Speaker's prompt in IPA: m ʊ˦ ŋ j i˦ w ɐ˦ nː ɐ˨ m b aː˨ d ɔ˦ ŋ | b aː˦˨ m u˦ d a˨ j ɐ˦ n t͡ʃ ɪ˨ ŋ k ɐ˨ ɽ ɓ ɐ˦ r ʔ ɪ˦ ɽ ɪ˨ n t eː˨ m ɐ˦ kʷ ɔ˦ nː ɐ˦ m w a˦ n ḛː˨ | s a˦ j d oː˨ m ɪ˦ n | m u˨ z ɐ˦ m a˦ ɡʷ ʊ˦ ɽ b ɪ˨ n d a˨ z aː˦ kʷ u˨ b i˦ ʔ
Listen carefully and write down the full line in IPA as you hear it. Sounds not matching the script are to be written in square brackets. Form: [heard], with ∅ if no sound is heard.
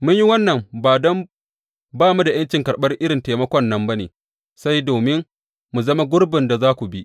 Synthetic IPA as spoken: m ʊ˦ [ɲ] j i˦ w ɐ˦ nː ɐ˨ m b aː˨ d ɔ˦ [m] | b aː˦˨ m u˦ d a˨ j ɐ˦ n t͡ʃ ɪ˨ ŋ k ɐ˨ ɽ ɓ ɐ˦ r ʔ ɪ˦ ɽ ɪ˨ n t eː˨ m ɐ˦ kʷ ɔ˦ nː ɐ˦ m [b] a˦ n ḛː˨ | s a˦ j d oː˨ m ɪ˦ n | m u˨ z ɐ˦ m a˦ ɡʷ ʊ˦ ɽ b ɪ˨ n d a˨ z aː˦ kʷ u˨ b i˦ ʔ

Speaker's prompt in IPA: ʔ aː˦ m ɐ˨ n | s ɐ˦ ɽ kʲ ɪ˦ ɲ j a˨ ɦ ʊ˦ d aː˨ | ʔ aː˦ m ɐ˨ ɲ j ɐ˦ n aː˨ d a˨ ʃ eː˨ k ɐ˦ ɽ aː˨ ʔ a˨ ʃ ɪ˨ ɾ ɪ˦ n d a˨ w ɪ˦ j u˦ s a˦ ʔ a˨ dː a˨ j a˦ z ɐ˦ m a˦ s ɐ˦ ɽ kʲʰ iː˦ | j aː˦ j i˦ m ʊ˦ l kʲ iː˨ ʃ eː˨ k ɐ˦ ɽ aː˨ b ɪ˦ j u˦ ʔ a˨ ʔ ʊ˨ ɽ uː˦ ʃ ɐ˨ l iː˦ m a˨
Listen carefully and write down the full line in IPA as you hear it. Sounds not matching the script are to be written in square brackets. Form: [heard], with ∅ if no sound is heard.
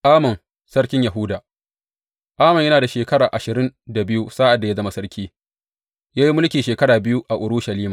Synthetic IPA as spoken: ʔ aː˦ m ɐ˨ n | s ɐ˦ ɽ kʲ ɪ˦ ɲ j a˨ ɦ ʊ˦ d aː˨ | ʔ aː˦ m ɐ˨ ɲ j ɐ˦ n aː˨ d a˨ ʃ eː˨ k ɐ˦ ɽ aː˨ ʔ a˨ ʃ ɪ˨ ɾ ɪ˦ n d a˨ [b] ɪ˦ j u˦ s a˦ ʔ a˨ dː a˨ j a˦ z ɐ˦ m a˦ s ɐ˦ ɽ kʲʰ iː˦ | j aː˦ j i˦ m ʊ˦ l kʲ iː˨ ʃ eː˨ k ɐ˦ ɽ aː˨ b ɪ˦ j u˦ ʔ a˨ ʔ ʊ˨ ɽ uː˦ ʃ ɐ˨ l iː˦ m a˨

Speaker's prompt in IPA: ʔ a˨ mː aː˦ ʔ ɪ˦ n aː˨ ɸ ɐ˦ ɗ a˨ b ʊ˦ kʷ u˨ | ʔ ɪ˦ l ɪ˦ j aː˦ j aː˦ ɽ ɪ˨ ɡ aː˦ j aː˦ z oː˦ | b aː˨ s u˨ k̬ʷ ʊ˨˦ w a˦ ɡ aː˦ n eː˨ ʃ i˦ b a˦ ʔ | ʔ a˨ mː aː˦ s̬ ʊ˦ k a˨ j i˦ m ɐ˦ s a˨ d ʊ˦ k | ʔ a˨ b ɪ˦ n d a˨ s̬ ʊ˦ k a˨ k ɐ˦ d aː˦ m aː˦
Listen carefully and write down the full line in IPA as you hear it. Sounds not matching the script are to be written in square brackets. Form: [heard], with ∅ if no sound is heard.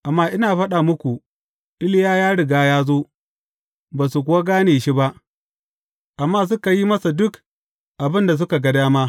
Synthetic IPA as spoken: ʔ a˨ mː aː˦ ʔ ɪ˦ n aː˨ ɸ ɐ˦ ɗ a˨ [m] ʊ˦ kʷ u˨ | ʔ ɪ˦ l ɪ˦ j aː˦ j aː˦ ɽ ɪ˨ ɡ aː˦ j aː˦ z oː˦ | b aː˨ s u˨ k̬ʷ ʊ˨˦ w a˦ ɡ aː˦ n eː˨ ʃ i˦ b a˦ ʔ | ʔ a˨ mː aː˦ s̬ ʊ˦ k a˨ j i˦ m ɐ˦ s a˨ d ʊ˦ k | ʔ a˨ b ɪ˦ n d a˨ s̬ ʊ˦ k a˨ [ɡ] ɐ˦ d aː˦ m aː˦

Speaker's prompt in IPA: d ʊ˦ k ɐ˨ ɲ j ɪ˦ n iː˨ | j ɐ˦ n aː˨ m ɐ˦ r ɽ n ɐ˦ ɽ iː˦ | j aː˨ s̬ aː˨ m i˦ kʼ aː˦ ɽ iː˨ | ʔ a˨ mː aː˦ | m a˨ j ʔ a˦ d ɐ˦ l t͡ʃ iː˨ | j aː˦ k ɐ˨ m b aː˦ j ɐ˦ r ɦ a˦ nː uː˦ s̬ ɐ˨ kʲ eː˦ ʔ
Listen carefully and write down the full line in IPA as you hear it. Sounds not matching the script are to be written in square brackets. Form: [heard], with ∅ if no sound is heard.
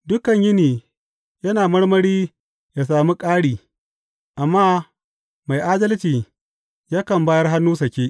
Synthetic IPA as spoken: d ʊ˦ k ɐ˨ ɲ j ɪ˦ n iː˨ | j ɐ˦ n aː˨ m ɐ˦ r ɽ [m] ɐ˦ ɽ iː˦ | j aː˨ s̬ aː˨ m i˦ kʼ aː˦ ɽ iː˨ | ʔ a˨ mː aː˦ | m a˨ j ʔ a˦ d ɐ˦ l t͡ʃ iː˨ | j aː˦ k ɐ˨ m b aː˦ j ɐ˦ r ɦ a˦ nː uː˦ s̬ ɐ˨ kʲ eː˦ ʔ

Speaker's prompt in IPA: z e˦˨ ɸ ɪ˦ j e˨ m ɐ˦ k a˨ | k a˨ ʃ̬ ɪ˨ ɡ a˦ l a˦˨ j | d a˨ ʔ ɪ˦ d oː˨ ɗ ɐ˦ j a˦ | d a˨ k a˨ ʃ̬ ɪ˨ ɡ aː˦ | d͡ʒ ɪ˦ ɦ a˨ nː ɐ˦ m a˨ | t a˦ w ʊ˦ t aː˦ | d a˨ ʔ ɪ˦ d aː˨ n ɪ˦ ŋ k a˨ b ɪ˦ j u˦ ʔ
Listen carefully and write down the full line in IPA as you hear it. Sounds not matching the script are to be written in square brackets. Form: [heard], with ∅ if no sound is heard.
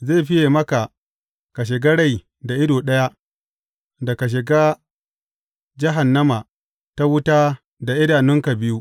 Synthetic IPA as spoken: z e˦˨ ɸ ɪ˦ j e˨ m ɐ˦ k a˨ | k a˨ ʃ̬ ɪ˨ ɡ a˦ [ɽ] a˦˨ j | d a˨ ʔ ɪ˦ d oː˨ ɗ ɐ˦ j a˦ | d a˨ k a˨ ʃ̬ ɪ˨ ɡ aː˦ | d͡ʒ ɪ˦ ɦ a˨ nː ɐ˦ m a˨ | t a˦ w ʊ˦ t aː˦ | d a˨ ʔ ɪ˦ d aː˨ n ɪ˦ ŋ k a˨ b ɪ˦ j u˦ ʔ

